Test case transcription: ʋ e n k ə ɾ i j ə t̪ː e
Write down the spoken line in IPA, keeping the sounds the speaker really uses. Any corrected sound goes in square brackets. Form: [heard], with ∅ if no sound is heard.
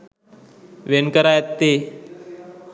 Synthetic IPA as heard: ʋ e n k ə ɾ [a] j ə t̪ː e